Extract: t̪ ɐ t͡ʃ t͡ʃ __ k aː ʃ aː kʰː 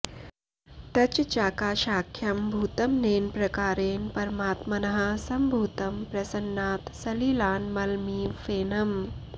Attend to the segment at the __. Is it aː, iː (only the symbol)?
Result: aː